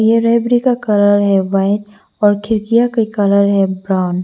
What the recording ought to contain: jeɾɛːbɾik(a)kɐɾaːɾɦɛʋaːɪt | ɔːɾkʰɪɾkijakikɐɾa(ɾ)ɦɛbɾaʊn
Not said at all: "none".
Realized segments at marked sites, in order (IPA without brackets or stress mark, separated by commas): a, ɾ